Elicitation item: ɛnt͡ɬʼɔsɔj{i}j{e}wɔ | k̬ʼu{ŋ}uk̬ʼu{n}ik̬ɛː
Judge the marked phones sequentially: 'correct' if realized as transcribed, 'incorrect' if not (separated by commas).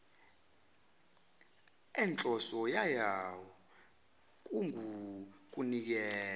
incorrect, incorrect, correct, correct